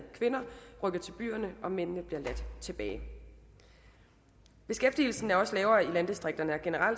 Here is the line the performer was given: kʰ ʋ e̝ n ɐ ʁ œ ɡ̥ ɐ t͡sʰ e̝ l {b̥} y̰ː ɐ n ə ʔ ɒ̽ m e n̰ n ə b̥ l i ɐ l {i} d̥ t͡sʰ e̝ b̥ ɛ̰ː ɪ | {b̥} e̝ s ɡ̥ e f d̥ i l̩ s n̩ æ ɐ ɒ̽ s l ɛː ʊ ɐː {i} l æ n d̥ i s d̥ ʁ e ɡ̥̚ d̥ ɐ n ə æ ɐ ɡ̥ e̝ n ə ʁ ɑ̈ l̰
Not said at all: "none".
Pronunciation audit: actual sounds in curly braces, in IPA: b̥, æ, b̥, i

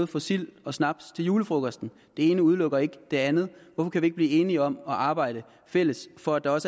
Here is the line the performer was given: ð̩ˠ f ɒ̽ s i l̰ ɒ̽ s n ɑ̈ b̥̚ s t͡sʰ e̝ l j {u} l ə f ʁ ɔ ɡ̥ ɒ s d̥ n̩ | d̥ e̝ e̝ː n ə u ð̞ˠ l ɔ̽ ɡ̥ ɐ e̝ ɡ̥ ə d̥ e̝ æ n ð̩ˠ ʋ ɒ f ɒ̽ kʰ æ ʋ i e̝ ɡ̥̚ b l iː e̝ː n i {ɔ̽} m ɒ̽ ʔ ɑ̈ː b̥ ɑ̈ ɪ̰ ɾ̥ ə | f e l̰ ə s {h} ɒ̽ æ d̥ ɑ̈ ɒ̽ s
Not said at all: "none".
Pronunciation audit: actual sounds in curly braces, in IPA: uː, ɒ̽, f

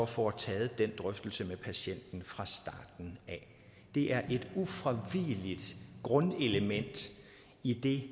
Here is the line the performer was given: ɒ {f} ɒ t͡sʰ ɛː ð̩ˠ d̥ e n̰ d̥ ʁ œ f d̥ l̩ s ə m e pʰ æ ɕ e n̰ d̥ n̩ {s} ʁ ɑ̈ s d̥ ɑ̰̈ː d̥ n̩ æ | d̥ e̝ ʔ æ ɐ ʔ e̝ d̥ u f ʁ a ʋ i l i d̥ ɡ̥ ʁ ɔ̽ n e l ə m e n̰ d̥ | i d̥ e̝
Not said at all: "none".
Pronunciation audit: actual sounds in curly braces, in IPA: f, f

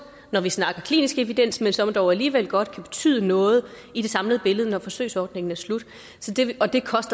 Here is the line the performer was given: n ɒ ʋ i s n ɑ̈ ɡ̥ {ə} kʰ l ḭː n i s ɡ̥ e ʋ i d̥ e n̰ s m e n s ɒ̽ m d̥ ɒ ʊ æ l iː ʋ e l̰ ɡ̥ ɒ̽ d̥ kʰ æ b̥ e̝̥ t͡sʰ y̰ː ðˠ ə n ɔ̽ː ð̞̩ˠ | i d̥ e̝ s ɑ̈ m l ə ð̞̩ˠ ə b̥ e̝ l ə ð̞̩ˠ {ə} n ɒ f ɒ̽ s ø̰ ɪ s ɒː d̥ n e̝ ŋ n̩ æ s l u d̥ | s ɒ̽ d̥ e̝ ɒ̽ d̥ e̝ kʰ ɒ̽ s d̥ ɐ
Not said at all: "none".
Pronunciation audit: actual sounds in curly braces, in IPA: ɐ, ə

